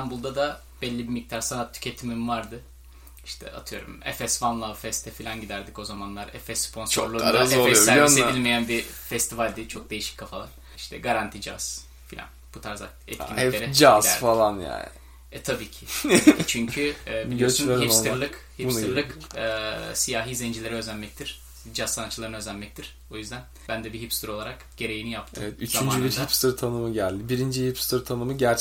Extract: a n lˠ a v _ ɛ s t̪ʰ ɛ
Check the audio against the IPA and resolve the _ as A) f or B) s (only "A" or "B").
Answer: A